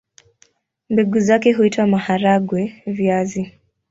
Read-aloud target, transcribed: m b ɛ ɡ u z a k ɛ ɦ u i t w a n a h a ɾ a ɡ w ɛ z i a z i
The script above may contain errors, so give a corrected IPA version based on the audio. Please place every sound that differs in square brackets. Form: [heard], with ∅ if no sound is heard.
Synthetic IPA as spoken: m b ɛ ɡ u z a k ɛ ɦ u i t w a [m] a h a ɾ a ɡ w ɛ [v] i a z i